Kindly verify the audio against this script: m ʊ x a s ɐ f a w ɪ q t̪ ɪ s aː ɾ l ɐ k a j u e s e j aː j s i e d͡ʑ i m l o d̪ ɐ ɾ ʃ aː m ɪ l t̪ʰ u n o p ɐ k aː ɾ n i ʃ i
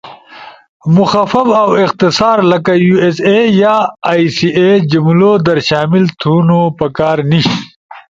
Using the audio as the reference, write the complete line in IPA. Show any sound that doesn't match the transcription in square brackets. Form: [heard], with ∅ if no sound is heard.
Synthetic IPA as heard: m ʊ x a [f] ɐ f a w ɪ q t̪ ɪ s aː ɾ l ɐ k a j u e s e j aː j s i e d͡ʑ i m l o d̪ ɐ ɾ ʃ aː m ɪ l t̪ʰ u n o p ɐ k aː ɾ n i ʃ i

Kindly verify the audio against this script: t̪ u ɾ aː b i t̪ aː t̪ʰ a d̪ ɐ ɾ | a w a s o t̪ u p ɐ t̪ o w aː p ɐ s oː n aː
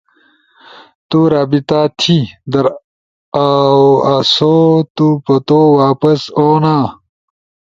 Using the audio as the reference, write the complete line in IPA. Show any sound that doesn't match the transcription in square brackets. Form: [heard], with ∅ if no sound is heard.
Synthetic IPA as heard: t̪ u ɾ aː b i t̪ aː t̪ʰ [i] d̪ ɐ ɾ | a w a s o t̪ u p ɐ t̪ o w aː p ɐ s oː n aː

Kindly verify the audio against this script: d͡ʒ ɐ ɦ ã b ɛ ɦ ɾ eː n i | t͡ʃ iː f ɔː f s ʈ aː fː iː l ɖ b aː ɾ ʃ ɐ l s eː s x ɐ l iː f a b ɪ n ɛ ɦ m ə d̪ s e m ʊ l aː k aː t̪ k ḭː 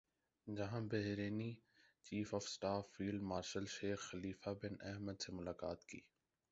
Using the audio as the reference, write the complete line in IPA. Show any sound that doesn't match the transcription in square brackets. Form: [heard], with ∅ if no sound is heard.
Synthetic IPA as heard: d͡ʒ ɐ ɦ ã b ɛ ɦ ɾ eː n i | t͡ʃ iː f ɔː f s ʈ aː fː iː l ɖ [m] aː ɾ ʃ [ə] l [ʃ] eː [x] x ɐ l iː f a b ɪ n ɛ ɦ m ə d̪ s e m ʊ l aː k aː t̪ k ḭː

